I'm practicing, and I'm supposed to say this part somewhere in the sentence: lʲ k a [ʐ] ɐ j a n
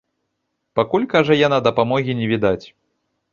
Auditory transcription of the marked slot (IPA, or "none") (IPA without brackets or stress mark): ʐ